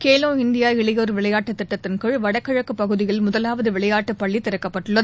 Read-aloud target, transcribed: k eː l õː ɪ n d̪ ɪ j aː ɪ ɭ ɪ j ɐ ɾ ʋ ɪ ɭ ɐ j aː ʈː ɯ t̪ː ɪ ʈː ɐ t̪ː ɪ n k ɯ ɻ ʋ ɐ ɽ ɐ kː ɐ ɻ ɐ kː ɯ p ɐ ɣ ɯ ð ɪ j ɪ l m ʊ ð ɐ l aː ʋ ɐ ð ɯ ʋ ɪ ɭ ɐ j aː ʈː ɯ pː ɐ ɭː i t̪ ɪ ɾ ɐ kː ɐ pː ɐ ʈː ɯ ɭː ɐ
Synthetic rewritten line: k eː l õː ɪ n d̪ ɪ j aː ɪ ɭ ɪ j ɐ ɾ ʋ ɪ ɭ ɐ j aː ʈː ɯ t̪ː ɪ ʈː ɐ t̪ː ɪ n k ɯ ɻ ʋ ɐ ɽ ɐ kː ɐ ɻ ɐ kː ɯ p ɐ ɣ ɯ ð ɪ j ɪ l m ʊ ð ɐ l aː ʋ ɐ ð ɯ ʋ ɪ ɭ ɐ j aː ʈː ɯ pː ɐ ɭː i t̪ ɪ ɾ ɐ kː ɐ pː ɐ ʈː ɯ ɭː ɐ